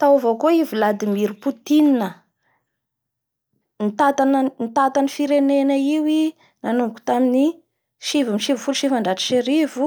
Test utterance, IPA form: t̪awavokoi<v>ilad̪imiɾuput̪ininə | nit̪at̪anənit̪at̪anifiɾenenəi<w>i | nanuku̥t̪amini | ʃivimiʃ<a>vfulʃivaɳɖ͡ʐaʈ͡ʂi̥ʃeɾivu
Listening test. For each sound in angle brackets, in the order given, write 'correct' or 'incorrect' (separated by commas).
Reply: correct, correct, incorrect